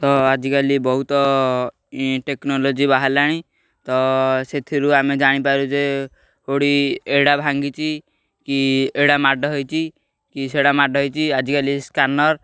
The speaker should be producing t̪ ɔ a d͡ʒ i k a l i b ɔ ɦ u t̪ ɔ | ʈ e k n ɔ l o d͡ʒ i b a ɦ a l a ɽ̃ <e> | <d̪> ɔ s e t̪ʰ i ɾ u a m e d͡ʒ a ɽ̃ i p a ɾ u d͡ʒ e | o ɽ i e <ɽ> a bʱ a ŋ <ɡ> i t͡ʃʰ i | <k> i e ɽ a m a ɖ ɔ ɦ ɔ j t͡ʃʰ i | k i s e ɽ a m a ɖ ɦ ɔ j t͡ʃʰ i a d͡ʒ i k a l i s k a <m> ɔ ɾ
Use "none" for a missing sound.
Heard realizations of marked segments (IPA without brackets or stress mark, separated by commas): i, t̪, ɽ, ɡ, k, n